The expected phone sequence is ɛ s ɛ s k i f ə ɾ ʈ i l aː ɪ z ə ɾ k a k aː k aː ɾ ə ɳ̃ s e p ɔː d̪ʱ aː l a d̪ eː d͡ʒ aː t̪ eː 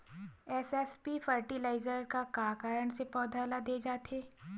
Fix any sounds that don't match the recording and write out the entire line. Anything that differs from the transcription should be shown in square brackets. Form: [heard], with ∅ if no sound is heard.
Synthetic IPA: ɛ s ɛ s [p] i f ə ɾ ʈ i l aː ɪ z ə ɾ k a k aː k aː ɾ ə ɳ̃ s e p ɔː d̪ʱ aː l a d̪ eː d͡ʒ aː t̪ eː